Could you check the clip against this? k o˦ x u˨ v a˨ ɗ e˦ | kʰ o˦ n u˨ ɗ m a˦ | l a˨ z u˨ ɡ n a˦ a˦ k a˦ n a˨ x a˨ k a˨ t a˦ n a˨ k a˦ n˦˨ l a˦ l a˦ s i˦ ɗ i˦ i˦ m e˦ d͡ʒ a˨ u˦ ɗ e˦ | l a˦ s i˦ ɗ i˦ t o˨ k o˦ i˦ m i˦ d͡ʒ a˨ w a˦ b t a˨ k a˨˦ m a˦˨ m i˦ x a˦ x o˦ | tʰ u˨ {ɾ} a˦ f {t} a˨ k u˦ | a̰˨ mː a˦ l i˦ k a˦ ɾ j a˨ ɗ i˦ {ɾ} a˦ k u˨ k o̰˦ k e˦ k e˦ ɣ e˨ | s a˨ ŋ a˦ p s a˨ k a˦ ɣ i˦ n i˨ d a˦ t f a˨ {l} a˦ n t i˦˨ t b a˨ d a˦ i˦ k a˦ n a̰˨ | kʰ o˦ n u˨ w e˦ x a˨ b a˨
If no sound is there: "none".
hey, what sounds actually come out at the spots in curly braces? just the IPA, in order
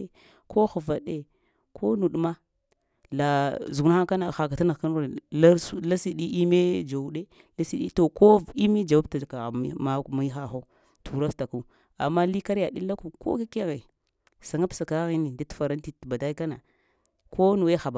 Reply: ɾ, t, l, ɾ

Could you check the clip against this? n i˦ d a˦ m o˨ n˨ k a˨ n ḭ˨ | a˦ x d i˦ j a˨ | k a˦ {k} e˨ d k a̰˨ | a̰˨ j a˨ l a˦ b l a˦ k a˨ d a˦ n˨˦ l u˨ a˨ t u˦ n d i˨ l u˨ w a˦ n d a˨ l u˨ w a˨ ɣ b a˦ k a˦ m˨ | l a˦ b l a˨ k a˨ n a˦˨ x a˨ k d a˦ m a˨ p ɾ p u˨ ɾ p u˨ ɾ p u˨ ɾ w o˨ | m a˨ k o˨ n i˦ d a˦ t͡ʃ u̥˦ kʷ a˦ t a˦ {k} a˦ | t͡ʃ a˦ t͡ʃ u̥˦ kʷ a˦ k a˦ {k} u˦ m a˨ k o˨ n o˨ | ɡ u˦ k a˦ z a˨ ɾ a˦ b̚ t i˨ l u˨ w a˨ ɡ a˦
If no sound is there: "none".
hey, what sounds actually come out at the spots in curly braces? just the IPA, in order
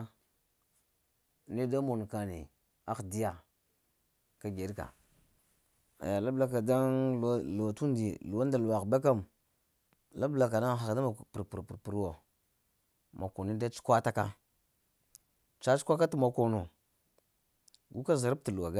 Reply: ɡ, k, t

